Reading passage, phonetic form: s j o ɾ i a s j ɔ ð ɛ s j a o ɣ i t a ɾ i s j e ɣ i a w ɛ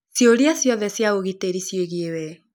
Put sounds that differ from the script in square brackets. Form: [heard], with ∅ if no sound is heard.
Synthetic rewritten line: s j o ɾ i a s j ɔ ð ɛ s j a o ɣ i t [e] ɾ i s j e ɣ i [e] w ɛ

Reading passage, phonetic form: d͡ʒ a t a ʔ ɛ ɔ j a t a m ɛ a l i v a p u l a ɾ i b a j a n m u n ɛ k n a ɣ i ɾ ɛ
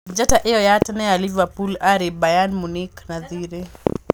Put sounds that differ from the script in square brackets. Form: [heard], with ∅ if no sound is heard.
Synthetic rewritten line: d͡ʒ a t a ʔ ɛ ɔ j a t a [n] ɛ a l i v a p u l a ɾ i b a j a n m u n [i] k n a [ð] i ɾ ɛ

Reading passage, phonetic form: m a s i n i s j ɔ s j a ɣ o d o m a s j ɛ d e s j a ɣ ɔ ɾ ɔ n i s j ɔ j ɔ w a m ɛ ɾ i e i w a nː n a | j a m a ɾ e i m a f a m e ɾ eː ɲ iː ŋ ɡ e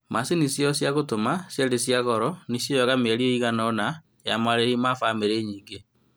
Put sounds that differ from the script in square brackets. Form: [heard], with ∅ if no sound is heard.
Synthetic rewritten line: m a s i n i s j ɔ s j a ɣ o [t] o m a s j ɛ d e s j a ɣ ɔ ɾ ɔ n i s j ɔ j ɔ [ɣ] a m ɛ ɾ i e i [ɣ] a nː n a | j a m a ɾ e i m a f a m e ɾ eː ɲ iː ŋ ɡ e

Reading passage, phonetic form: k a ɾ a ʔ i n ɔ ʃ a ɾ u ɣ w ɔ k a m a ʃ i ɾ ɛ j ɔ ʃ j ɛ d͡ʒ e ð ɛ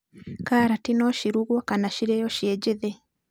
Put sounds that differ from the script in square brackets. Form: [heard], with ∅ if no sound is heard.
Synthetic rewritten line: k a ɾ a [t] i n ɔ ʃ [i] ɾ u ɣ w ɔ k a [n] a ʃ i ɾ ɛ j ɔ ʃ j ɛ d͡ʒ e ð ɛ

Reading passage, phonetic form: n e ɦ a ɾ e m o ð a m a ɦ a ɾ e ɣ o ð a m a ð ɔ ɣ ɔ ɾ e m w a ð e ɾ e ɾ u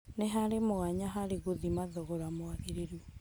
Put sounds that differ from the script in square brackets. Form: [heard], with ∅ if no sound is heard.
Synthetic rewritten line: n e ɦ a ɾ e m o [ɣ] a [ɲ] a ɦ a ɾ e ɣ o ð [i] m a ð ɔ ɣ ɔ ɾ [a] m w a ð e ɾ e ɾ u

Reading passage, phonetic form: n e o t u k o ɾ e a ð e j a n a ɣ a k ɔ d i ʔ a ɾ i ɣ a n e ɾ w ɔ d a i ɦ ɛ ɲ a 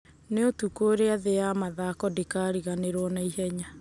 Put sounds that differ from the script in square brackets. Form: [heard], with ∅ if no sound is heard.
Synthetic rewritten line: n e o t u k o ɾ e a ð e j a [m] a [ð] a k ɔ d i [k] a ɾ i ɣ a n e ɾ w ɔ [n] a i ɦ ɛ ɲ a

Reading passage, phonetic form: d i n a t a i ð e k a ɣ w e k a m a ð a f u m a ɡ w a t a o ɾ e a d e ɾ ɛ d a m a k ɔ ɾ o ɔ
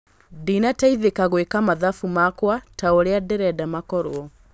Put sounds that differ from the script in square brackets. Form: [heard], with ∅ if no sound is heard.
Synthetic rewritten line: d i n a t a i ð e k a ɣ w e k a m a ð a f u m a [k] w a t a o ɾ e a d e ɾ ɛ d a m a k ɔ ɾ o ɔ

